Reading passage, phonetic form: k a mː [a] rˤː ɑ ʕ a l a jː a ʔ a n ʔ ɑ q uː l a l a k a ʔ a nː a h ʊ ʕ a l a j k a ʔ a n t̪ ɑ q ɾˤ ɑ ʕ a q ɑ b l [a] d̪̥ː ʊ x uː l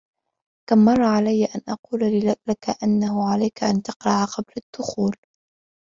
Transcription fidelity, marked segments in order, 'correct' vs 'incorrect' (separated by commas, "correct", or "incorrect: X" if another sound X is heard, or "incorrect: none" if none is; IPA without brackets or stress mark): incorrect: ɑ, correct